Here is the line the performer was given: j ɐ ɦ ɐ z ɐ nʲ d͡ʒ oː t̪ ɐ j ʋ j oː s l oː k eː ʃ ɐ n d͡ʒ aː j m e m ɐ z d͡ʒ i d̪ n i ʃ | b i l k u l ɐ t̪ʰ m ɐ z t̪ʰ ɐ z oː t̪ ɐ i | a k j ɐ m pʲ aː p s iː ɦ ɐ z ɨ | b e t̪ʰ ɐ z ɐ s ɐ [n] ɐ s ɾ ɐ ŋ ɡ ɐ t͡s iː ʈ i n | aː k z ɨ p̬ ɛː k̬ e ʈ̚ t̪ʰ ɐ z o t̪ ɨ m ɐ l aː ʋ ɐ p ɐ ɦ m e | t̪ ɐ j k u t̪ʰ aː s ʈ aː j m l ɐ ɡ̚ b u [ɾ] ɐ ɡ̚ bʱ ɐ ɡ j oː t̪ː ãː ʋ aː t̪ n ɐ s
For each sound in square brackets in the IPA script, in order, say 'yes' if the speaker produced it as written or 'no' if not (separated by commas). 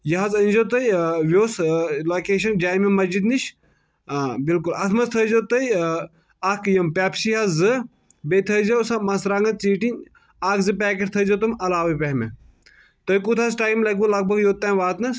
no, no